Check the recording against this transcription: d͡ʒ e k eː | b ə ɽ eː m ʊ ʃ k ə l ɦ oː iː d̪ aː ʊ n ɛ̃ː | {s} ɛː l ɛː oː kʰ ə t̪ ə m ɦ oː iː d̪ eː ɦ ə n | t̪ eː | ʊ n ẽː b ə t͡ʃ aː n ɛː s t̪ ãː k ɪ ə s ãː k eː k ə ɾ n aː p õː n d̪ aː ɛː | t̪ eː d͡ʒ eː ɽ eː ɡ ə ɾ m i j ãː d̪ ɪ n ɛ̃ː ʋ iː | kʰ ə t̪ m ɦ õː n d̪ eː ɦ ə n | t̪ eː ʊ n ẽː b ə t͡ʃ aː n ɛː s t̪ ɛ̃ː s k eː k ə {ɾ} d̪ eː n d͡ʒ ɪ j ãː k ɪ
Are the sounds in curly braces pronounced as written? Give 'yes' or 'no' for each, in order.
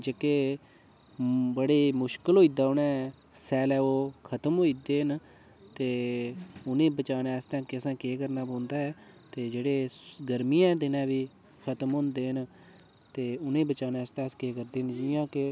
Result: yes, yes

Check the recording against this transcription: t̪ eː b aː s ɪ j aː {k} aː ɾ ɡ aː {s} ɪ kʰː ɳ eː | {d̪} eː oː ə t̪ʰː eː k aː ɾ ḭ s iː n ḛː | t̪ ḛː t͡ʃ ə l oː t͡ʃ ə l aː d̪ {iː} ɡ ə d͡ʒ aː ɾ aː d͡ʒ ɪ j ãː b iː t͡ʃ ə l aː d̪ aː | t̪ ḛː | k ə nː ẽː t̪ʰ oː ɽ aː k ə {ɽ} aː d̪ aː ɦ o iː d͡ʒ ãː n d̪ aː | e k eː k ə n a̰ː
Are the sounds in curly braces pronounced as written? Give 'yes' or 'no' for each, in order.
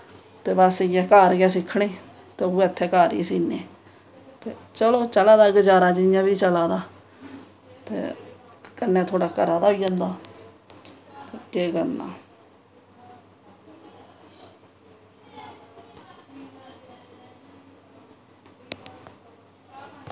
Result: yes, yes, no, no, no

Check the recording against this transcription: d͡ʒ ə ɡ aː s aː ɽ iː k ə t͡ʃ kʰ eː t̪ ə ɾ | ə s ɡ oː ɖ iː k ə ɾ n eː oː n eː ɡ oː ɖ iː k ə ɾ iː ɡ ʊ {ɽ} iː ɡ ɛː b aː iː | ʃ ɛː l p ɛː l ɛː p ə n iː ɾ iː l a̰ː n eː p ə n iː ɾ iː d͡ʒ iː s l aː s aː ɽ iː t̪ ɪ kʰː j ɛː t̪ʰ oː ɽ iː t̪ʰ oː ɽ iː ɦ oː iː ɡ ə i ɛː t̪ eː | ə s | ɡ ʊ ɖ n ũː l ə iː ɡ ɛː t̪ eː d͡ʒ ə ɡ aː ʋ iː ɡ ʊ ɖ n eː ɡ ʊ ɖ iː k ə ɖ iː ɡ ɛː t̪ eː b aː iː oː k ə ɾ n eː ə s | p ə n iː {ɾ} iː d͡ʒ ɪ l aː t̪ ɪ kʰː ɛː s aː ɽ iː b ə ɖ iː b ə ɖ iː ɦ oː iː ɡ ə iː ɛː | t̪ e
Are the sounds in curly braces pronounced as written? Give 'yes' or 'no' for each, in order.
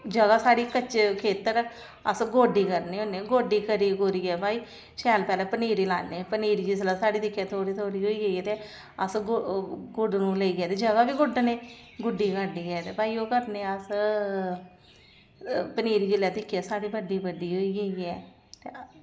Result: no, yes

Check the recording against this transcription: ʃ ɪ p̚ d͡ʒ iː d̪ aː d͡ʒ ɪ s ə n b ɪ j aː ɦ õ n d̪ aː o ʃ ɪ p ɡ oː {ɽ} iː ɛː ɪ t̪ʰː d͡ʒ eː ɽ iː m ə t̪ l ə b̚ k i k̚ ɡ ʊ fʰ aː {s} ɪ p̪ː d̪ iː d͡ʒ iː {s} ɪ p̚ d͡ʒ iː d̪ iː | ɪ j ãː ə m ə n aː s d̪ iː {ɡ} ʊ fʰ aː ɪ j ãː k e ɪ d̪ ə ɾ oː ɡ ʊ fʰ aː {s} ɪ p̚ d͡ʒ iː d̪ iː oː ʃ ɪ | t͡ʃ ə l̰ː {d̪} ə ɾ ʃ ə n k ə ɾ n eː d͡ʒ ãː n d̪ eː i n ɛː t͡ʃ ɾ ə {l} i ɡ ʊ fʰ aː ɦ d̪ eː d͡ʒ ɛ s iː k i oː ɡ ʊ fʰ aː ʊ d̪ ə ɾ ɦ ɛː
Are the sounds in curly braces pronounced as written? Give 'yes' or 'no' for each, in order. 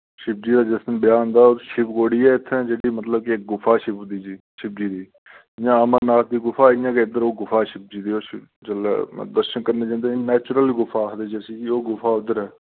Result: yes, no, no, yes, no, yes, yes

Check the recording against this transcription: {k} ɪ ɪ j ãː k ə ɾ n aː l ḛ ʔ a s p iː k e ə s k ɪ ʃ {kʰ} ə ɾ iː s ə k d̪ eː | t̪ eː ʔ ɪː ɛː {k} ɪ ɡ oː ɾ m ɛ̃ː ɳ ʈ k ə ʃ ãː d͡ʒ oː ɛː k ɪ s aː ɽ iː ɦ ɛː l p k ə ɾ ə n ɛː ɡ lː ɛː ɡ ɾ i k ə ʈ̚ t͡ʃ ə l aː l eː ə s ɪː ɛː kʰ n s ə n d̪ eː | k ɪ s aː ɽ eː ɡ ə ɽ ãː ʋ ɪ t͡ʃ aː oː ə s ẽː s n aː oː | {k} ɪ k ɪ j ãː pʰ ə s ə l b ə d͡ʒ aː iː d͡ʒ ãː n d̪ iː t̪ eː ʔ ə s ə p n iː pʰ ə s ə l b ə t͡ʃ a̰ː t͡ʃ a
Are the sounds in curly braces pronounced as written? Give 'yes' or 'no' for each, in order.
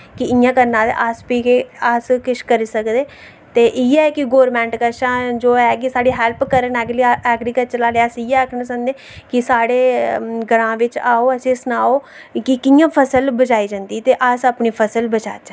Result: yes, no, yes, yes

